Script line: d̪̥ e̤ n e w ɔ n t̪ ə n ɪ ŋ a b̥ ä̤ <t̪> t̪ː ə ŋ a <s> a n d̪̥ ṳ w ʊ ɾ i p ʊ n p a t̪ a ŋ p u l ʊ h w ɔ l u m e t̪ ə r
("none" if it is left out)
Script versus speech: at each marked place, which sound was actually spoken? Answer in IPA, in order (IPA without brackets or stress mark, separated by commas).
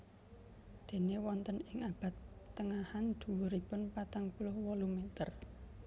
t̪, h